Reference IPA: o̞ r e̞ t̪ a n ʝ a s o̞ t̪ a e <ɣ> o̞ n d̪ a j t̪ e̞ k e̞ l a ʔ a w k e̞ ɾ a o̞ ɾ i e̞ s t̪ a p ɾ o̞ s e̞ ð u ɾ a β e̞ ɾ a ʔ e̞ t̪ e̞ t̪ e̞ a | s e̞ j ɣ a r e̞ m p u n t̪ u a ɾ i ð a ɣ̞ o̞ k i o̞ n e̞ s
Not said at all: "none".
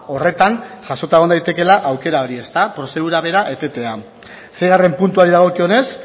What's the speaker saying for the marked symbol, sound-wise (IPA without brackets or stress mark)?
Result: ɣ